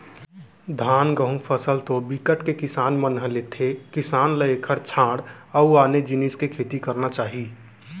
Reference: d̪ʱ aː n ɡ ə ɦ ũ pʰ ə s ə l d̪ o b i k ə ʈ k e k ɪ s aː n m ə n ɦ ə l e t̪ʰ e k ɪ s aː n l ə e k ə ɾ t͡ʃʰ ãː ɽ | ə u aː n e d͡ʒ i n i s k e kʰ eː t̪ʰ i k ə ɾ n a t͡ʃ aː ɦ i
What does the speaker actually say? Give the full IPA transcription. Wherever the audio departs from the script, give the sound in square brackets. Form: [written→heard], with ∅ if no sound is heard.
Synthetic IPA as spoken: d̪ʱ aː n ɡ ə ɦ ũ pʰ ə s ə l [d̪→t̪] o b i k ə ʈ k e k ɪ s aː n m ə n ɦ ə l e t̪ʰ e k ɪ s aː n l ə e [k→kʰ] ə ɾ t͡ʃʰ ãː ɽ | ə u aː n e d͡ʒ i n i s k e kʰ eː [t̪ʰ→t̪] i k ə ɾ n a t͡ʃ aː ɦ i